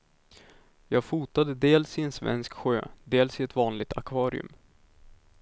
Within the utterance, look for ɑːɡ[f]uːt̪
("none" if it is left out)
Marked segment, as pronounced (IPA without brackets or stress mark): f